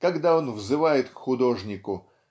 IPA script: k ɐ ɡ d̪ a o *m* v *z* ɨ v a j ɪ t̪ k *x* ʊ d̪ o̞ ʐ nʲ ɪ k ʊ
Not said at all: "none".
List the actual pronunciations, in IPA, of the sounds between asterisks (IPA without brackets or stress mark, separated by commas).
n, z, x